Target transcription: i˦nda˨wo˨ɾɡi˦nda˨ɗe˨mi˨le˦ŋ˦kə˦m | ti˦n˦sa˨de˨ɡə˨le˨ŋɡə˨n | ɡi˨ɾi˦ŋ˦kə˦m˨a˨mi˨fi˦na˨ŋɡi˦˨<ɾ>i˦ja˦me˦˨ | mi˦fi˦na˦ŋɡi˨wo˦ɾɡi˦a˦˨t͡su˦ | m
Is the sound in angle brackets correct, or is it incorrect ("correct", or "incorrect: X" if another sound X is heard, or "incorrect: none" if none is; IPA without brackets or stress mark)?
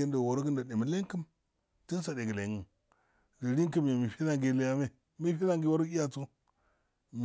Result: incorrect: l